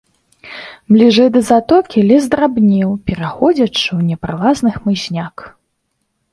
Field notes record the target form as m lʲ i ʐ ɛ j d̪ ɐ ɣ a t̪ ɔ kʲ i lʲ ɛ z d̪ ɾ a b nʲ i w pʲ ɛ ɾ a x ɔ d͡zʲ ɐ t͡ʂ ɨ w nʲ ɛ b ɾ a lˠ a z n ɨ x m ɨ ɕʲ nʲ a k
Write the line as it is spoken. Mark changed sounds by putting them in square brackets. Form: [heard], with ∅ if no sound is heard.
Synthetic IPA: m lʲ i ʐ ɛ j d̪ ɐ [z] a t̪ ɔ kʲ i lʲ ɛ z d̪ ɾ a b nʲ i w pʲ ɛ ɾ a x ɔ d͡zʲ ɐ t͡ʂ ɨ w nʲ ɛ [p] ɾ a lˠ a z n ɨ x m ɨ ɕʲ nʲ a k